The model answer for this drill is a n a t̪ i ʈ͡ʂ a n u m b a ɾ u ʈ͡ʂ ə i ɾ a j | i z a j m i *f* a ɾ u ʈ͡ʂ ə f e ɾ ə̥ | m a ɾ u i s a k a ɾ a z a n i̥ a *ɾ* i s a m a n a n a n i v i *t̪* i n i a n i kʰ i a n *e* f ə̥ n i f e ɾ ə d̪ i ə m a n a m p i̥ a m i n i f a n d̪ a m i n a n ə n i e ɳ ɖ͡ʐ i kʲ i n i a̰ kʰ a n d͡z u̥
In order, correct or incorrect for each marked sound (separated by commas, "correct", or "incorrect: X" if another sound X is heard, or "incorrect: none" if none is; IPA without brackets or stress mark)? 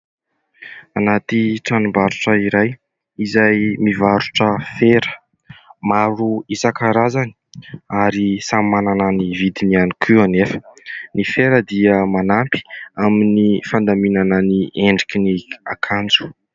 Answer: incorrect: v, correct, incorrect: d̪, correct